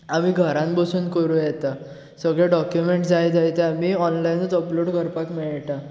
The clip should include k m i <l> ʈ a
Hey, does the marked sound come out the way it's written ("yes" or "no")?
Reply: no